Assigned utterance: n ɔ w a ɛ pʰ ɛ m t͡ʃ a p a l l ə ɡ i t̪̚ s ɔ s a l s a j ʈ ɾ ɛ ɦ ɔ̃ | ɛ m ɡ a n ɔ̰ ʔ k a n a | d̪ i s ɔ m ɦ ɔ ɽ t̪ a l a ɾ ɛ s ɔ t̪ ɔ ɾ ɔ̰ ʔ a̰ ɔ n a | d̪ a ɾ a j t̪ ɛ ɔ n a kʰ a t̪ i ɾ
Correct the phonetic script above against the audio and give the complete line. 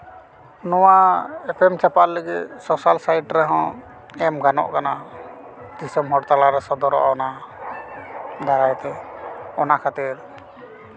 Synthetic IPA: n ɔ w a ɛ pʰ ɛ m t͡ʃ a p a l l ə ɡ i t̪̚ s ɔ s a l s a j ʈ ɾ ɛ ɦ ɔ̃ | ɛ m ɡ a n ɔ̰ ʔ k a n a | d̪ i s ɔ m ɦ ɔ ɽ t̪ a l a ɾ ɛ s ɔ d̪ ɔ ɾ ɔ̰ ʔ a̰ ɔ n a | d̪ a ɾ a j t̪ ɛ ɔ n a kʰ a t̪ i ɾ